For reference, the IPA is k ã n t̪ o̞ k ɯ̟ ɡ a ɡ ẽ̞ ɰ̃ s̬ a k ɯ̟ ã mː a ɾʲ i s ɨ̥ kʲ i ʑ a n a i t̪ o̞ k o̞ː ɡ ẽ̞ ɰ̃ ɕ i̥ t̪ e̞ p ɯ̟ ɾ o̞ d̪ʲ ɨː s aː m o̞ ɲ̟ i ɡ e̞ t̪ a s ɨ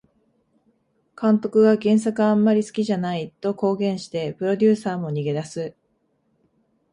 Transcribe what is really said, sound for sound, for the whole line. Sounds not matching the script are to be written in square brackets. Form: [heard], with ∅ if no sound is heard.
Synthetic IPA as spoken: k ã n t̪ o̞ k ɯ̟ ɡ a ɡ ẽ̞ ɰ̃ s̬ a k ɯ̟ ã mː a ɾʲ i s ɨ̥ kʲ i ʑ a n a i t̪ o̞ k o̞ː ɡ ẽ̞ ɰ̃ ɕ i̥ t̪ e̞ p ɯ̟ ɾ o̞ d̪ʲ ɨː s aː m o̞ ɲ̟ i ɡ e̞ [d̪] a s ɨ